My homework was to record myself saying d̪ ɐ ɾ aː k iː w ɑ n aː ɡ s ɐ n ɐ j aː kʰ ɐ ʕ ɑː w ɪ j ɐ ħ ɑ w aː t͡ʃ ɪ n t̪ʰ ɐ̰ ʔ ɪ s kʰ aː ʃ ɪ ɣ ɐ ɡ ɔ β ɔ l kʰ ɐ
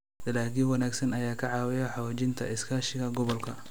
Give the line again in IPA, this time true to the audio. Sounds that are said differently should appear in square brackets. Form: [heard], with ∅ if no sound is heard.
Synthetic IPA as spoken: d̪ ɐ [l] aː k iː w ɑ n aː ɡ s ɐ n ɐ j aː kʰ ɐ ʕ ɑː w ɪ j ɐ ħ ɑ w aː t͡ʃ ɪ n t̪ʰ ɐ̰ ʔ ɪ s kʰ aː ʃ ɪ ɣ ɐ ɡ ɔ β ɔ l kʰ ɐ